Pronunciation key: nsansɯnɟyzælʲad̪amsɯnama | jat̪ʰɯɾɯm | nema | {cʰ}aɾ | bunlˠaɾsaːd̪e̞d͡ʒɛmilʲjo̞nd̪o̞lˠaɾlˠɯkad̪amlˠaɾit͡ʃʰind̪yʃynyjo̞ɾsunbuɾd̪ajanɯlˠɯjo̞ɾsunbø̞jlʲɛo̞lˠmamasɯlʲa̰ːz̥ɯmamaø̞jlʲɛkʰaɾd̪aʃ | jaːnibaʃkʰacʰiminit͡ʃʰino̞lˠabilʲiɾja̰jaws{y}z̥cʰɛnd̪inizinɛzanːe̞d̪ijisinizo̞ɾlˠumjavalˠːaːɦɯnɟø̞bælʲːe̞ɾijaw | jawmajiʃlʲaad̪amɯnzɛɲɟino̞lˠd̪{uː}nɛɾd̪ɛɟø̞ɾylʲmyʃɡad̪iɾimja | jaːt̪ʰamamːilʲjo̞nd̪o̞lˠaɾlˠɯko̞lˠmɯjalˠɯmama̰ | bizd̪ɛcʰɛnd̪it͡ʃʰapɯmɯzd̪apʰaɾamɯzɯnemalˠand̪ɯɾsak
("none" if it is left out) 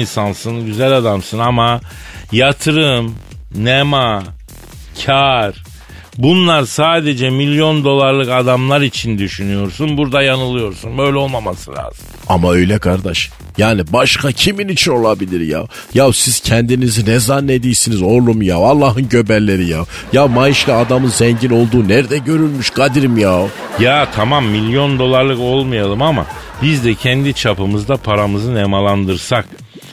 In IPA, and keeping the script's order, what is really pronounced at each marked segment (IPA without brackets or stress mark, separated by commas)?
cʰ, i, uː